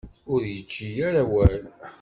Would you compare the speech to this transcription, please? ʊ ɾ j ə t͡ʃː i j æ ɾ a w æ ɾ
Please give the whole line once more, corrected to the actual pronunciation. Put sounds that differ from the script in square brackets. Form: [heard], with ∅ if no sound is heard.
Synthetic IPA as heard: ʊ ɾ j ə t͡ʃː i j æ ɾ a w æ [l]